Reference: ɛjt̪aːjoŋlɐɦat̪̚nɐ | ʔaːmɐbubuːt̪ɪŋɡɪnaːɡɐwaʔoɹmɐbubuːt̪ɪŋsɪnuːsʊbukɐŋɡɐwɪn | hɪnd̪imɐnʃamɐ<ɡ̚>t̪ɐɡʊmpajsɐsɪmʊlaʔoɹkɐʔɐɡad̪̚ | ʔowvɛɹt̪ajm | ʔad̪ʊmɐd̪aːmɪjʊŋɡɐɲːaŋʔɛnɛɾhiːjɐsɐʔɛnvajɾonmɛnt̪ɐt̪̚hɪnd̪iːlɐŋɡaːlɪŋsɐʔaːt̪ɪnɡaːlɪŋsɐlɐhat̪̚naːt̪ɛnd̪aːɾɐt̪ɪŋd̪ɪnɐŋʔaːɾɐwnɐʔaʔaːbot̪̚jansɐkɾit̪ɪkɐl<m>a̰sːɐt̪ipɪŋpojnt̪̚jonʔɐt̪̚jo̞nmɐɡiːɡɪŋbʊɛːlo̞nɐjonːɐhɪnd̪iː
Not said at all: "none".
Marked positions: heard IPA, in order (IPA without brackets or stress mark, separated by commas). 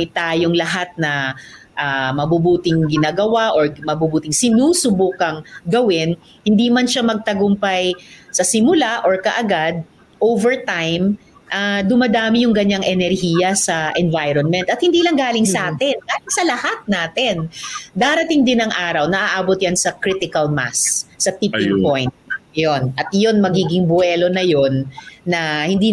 ɡ̚, m